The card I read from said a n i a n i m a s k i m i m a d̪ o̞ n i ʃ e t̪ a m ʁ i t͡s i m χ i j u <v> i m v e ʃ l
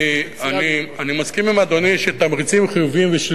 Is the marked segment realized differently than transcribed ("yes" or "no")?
no